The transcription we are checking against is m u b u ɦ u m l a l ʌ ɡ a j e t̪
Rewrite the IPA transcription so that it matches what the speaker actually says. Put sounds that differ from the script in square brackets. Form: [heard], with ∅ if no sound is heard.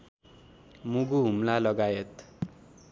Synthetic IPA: m u [ɡ] u ɦ u m l a l ʌ ɡ a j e t̪